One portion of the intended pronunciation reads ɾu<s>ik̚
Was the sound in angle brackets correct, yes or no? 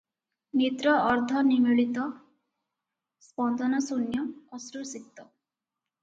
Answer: yes